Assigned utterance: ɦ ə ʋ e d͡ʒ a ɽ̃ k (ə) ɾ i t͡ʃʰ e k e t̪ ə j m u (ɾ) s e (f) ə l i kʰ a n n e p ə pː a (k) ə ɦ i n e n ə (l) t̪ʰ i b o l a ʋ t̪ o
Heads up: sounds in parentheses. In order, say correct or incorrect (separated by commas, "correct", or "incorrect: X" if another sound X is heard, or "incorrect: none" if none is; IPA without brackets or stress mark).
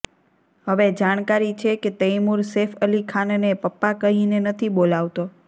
incorrect: a, correct, correct, correct, incorrect: none